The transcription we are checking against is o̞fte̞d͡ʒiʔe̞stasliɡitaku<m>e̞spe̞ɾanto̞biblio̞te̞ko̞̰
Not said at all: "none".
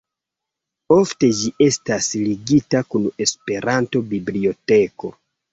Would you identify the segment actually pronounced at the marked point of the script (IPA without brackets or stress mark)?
n